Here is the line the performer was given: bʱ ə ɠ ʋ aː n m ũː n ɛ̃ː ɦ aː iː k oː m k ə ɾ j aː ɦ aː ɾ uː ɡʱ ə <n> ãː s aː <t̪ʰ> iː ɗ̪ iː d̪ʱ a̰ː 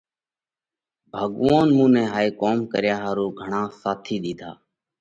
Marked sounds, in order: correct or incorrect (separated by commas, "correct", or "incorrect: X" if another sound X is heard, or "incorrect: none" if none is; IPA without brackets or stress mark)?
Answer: incorrect: ɳ, correct